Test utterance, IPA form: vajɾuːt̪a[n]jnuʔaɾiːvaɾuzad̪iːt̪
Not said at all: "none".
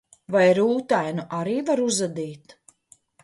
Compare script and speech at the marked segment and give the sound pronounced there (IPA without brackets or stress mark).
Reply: none